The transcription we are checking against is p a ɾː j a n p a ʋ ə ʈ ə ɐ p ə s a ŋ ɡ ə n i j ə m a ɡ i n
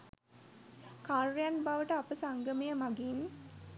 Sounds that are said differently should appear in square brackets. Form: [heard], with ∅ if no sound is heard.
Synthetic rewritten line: [k] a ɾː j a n [b] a ʋ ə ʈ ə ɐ p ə s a ŋ ɡ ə [m] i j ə m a ɡ i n